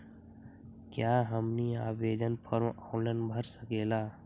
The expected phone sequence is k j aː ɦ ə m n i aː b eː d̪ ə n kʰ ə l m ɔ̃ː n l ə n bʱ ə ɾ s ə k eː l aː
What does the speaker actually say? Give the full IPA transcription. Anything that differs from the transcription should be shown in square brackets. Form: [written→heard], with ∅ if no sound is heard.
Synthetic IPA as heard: k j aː ɦ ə m n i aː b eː d̪ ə n [kʰ→pʰ] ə [l→ɾ] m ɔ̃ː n l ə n bʱ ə ɾ s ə k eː l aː

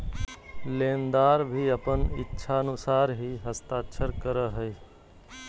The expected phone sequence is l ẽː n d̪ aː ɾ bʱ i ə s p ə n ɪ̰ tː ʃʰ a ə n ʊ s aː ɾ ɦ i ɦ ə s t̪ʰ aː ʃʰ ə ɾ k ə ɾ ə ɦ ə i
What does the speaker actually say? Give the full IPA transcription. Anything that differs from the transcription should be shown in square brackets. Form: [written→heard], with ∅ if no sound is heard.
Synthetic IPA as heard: l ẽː n d̪ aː ɾ bʱ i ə [s→∅] p ə n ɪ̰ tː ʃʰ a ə n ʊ s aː ɾ ɦ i ɦ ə s [t̪ʰ→t̪] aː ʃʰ ə ɾ k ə ɾ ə ɦ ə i

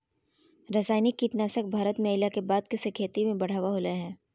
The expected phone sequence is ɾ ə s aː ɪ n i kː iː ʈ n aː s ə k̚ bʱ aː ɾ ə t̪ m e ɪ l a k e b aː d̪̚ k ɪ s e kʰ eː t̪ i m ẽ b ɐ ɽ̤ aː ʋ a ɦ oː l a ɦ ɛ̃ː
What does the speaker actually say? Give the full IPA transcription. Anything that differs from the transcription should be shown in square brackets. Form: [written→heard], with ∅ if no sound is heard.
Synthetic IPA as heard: ɾ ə s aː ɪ n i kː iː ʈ n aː s ə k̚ bʱ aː ɾ ə t̪ m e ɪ l a k e b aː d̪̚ k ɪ s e kʰ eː t̪ i m ẽ b ɐ ɽ̤ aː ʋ a ɦ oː l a ɦ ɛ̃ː

